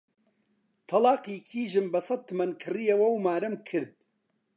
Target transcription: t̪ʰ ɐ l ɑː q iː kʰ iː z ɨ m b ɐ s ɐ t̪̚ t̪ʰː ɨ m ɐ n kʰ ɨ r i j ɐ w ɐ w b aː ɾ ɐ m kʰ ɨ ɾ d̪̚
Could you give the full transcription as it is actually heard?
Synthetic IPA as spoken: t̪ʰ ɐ l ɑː q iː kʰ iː ʒ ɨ m b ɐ s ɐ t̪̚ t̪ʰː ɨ m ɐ n kʰ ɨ r i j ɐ w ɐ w m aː ɾ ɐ m kʰ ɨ ɾ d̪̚